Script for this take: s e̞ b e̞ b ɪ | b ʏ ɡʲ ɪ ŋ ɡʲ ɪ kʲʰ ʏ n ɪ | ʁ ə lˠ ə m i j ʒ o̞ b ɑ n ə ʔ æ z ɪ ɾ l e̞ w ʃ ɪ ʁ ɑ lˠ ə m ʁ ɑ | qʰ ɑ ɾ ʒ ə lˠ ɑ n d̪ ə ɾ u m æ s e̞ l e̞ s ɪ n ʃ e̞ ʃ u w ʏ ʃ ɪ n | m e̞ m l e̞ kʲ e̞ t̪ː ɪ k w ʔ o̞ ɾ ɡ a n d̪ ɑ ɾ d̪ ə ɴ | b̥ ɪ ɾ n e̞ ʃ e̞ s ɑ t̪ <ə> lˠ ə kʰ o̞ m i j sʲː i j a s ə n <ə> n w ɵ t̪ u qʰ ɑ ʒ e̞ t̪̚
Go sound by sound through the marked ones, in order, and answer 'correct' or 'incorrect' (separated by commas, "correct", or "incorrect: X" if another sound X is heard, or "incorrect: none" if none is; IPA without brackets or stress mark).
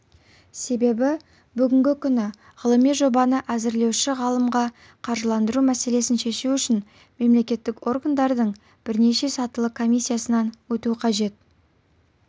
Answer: correct, incorrect: ɑ